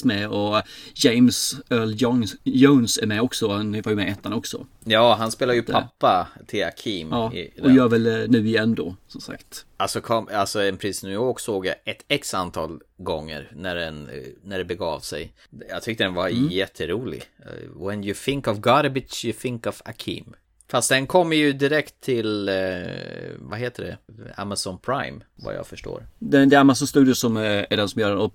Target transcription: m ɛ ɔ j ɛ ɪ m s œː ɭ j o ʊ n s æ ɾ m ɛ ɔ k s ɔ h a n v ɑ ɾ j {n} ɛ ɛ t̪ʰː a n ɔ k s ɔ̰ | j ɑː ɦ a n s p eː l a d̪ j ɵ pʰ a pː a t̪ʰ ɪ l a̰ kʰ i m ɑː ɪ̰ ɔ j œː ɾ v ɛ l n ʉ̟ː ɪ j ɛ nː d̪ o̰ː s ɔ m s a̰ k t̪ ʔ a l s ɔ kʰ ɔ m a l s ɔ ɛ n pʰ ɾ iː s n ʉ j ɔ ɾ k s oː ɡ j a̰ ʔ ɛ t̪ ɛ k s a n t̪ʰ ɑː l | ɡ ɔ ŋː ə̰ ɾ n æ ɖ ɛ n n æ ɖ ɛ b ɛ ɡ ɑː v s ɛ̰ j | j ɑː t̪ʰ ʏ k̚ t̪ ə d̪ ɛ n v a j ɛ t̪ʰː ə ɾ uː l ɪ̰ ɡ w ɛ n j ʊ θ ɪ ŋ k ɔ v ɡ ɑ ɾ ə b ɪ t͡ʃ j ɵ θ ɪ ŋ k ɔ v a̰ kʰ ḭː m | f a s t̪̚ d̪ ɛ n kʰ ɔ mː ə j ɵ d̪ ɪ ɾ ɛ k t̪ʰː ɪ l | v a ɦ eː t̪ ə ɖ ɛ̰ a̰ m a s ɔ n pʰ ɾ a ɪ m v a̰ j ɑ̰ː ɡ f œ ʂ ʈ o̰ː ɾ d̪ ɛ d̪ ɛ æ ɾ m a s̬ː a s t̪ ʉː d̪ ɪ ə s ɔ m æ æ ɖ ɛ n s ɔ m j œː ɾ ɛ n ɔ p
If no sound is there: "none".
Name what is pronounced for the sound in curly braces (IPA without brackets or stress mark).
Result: m